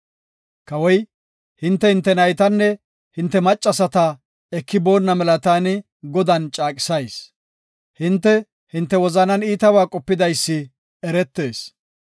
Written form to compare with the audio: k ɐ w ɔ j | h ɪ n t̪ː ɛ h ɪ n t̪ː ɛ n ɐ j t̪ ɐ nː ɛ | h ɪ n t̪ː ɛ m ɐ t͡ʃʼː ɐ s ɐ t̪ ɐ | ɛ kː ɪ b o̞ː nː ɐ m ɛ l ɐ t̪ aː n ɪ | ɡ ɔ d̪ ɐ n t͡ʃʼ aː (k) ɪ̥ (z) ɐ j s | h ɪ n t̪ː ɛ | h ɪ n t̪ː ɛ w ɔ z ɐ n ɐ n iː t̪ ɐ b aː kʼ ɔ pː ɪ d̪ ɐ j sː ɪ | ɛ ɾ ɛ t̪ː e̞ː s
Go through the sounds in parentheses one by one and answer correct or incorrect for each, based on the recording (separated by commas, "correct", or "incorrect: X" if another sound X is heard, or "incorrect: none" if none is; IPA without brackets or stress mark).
incorrect: kʼ, incorrect: s